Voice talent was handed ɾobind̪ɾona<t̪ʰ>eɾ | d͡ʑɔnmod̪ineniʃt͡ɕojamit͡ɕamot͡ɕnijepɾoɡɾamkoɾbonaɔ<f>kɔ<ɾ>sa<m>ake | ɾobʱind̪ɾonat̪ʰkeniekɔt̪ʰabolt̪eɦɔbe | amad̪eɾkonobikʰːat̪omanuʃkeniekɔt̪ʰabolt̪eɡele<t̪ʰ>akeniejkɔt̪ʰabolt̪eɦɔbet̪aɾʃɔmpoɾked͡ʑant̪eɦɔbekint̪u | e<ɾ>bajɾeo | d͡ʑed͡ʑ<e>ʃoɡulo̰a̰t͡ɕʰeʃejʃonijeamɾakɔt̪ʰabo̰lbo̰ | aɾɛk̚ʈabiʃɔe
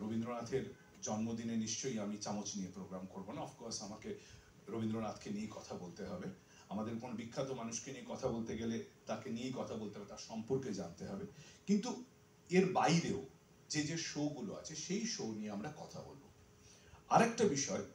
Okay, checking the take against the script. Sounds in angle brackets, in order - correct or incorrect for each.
correct, correct, correct, correct, incorrect, correct, correct

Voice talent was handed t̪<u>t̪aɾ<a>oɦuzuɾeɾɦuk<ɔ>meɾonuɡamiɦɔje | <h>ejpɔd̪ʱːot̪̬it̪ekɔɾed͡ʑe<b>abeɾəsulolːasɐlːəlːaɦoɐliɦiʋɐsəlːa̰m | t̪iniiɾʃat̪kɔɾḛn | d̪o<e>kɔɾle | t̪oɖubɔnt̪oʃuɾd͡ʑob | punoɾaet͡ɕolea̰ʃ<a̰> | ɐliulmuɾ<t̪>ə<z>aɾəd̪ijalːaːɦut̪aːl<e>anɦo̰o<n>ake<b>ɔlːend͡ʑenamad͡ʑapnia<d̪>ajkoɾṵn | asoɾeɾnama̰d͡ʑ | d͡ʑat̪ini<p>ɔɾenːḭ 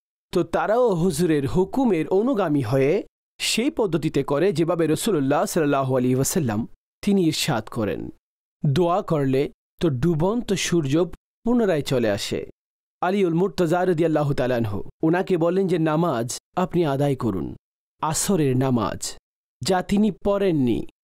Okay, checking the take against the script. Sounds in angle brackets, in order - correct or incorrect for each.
incorrect, correct, incorrect, incorrect, correct, incorrect, incorrect, correct, correct, incorrect, correct, correct, correct, correct

